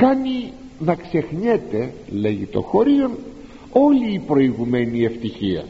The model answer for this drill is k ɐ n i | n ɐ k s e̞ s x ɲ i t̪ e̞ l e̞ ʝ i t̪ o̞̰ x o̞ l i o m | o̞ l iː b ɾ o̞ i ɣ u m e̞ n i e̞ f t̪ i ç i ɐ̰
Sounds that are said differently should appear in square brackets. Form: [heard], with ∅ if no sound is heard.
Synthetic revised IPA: k ɐ n i | n ɐ k s e̞ [∅] x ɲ [e] t̪ e̞ l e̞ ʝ i t̪ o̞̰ x o̞ [ɾ] i o [n] | o̞ l iː [p] ɾ o̞ i ɣ u m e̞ n i e̞ f t̪ i ç i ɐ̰